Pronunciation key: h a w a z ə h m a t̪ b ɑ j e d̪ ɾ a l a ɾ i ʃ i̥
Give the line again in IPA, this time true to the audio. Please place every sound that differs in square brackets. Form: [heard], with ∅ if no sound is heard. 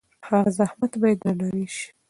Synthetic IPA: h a [ɣ] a z [a] h m a t̪ b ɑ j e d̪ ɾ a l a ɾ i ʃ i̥